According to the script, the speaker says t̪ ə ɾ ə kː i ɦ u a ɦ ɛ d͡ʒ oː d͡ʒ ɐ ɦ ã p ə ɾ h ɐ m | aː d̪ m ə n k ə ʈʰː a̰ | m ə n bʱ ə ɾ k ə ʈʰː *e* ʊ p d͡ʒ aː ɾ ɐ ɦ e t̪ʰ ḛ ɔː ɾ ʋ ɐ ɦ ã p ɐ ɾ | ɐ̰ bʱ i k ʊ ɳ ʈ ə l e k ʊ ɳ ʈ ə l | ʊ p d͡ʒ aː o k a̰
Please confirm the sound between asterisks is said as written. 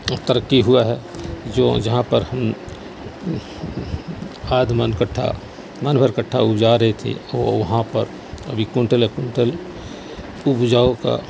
no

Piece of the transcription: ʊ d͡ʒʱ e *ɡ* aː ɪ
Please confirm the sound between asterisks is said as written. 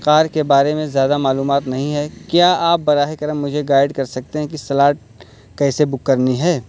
yes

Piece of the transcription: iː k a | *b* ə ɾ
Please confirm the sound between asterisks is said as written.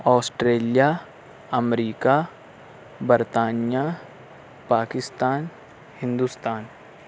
yes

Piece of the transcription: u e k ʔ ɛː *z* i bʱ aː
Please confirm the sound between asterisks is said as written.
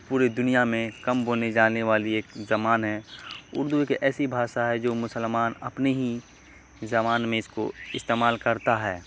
no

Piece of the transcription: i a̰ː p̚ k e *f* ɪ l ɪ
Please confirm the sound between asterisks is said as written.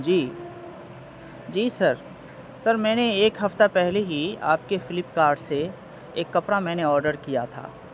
yes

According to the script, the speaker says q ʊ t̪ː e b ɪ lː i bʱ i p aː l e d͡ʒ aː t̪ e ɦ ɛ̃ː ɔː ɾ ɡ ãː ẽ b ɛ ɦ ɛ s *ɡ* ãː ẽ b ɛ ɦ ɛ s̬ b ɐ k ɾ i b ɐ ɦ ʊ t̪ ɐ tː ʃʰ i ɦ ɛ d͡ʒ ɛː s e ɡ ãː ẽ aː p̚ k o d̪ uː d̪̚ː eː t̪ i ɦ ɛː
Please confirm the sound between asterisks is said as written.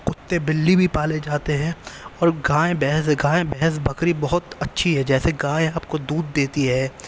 yes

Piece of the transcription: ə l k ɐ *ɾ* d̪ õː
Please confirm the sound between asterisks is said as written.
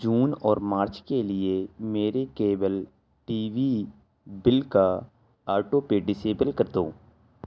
yes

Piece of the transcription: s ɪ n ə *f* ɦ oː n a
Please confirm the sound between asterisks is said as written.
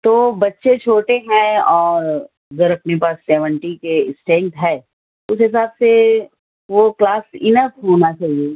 yes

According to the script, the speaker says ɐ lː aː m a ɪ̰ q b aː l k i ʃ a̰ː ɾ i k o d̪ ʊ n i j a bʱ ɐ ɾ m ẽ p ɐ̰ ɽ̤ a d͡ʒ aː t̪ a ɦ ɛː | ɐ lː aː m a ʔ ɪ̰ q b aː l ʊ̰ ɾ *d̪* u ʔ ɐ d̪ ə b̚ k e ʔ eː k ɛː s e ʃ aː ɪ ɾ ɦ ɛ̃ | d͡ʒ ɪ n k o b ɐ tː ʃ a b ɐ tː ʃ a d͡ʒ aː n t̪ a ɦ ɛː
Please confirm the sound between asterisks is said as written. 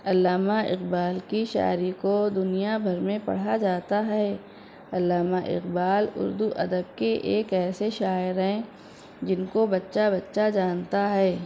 yes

